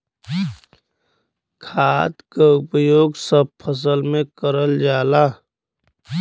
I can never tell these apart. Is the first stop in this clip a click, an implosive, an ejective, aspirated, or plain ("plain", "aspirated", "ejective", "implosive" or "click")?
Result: aspirated